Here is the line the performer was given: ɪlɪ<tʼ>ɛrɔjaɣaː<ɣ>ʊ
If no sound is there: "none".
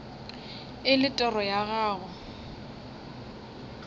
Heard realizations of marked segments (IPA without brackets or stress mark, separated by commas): tʼ, ɣ